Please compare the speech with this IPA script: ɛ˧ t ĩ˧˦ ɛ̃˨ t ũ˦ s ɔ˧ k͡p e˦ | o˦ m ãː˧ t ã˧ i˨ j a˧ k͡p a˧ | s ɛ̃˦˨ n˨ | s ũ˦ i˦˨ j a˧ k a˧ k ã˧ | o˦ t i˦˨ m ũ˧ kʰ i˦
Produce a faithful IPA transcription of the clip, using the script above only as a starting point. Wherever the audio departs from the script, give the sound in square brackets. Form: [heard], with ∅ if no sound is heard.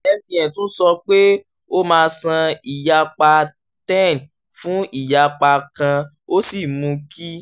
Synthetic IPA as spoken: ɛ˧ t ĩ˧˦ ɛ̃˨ t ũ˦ s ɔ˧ k͡p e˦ | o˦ m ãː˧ [s] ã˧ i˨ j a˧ k͡p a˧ | [t] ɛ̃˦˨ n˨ | [f] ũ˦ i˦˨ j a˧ [k͡p] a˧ k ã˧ | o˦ [s] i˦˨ m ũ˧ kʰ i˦